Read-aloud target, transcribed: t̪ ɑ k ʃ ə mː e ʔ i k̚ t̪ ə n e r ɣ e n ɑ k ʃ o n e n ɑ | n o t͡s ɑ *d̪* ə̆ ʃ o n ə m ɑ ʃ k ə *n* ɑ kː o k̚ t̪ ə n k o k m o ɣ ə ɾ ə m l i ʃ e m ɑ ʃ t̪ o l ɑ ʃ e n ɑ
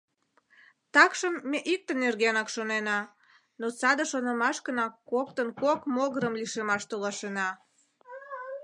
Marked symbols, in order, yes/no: yes, yes

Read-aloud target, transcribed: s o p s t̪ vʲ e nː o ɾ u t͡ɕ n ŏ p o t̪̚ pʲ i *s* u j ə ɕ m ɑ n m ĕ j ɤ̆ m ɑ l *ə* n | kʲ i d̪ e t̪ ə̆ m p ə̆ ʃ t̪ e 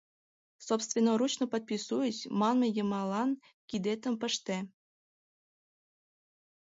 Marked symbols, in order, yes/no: yes, no

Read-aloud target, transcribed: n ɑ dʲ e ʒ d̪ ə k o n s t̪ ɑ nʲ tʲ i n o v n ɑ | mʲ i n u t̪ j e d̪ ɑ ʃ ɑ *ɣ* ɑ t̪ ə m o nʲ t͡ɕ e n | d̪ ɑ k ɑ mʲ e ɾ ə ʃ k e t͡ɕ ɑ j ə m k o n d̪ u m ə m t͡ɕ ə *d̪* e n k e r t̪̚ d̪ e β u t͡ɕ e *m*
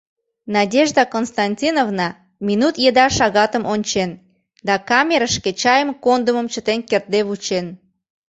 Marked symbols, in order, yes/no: yes, no, no

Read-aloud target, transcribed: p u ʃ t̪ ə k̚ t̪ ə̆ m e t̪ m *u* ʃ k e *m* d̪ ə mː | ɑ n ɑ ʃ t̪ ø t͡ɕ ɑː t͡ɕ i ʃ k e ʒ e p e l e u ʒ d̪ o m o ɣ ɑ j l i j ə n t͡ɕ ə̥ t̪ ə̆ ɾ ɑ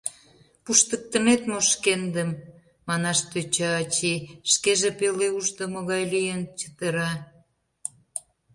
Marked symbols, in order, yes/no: no, no

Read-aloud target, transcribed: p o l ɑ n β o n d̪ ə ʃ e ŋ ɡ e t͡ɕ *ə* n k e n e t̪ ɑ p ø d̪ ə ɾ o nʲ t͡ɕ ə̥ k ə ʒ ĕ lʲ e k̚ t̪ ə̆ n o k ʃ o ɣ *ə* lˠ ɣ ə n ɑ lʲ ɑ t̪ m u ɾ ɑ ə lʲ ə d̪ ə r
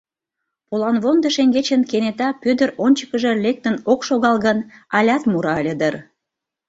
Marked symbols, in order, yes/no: yes, no

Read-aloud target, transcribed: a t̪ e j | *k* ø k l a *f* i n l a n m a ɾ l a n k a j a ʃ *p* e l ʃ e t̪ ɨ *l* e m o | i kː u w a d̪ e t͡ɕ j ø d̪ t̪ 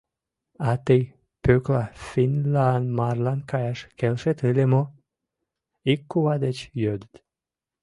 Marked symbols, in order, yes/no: no, yes, no, yes

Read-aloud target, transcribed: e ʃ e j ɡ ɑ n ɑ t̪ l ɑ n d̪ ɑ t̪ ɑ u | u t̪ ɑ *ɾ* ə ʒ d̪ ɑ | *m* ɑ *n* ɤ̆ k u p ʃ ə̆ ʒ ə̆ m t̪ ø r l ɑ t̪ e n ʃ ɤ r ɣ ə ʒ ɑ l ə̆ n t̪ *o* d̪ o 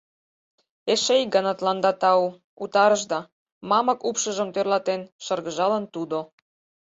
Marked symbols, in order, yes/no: yes, yes, no, no

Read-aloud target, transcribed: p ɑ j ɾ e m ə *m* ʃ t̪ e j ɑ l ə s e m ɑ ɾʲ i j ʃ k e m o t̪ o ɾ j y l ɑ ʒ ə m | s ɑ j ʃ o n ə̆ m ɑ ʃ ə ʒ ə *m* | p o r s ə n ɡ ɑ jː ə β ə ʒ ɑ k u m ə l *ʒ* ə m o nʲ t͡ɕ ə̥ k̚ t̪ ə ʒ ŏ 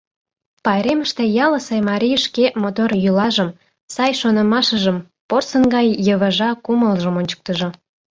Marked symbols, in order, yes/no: no, yes, yes

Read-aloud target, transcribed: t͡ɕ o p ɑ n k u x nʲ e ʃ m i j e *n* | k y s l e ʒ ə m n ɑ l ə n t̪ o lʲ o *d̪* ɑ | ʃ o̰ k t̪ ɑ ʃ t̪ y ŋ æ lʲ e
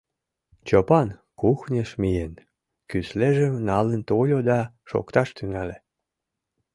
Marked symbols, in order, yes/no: yes, yes

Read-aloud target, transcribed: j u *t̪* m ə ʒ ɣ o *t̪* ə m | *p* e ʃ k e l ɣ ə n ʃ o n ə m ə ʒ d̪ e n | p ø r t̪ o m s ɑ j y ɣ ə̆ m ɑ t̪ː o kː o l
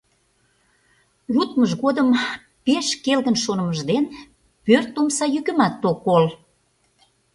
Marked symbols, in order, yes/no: yes, no, yes

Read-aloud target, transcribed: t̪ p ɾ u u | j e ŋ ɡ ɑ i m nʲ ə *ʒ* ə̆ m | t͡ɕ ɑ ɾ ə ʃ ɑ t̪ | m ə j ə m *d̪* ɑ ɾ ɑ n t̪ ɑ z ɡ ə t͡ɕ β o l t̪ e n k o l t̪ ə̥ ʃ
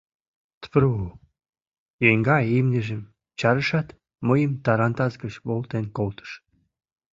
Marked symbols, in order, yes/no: yes, no

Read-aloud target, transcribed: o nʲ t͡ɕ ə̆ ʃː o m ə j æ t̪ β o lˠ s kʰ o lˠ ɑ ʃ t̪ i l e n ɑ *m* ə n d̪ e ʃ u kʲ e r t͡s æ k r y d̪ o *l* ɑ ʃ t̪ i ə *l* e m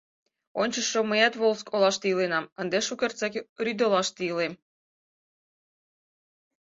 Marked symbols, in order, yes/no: yes, yes, yes

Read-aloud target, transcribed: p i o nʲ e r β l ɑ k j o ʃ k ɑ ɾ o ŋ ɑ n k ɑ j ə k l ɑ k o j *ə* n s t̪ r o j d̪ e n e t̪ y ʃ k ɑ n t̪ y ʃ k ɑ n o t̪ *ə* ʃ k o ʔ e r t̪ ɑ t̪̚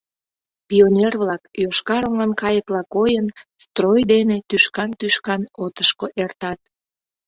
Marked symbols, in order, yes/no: yes, yes

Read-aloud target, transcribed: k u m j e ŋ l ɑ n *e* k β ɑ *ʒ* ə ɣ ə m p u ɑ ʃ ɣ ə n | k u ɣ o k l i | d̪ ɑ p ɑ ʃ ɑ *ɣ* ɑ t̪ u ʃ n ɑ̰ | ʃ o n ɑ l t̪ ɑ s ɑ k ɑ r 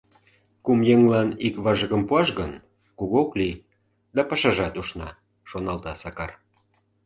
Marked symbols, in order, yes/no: no, yes, no

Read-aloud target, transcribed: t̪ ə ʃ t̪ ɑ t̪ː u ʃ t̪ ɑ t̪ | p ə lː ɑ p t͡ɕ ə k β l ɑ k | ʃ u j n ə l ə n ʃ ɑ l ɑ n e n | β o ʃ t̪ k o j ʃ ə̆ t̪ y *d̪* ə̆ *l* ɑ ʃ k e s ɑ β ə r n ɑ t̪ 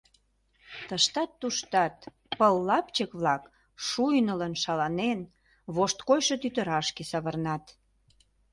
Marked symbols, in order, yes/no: no, no

